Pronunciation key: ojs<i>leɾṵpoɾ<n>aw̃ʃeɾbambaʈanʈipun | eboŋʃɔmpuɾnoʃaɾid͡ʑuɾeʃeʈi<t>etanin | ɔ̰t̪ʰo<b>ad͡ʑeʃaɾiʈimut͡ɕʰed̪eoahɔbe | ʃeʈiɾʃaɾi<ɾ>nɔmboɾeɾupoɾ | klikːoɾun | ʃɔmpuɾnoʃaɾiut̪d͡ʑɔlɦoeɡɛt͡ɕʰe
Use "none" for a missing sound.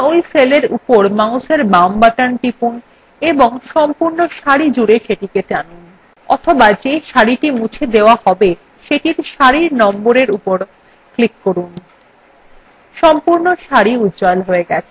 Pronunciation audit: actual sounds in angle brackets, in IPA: e, m, k, b, ɾ

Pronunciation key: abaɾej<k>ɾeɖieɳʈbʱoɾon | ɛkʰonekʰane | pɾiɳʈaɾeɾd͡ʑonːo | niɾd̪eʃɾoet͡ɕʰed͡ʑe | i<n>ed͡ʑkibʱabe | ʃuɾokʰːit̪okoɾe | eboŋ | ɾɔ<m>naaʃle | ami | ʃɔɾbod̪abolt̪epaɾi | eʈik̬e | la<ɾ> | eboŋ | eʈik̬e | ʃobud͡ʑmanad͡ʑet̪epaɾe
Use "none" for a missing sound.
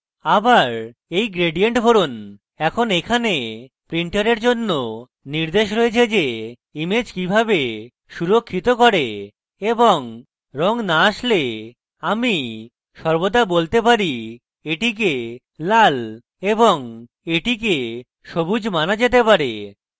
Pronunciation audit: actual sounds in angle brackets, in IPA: ɡ, m, ŋ, l

